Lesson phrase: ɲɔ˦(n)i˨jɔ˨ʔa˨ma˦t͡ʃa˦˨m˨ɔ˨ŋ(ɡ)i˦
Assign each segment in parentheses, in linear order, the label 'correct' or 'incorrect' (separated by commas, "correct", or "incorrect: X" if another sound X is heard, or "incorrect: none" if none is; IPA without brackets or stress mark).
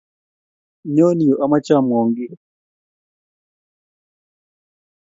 correct, correct